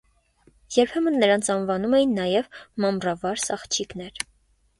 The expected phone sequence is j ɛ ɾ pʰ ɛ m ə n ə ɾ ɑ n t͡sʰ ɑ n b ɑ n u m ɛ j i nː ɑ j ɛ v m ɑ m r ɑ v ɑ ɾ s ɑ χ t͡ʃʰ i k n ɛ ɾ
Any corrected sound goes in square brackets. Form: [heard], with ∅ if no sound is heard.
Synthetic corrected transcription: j ɛ ɾ pʰ ɛ m ə [nː] ə ɾ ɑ n t͡sʰ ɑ n [v] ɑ n u m ɛ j i nː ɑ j ɛ v m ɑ m r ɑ v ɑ ɾ s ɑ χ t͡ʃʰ i k n ɛ ɾ